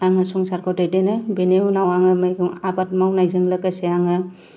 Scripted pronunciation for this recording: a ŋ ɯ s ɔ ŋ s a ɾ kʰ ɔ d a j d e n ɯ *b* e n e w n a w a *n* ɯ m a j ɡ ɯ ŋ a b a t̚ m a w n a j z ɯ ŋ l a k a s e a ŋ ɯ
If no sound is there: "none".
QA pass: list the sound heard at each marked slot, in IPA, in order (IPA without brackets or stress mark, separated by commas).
b, ŋ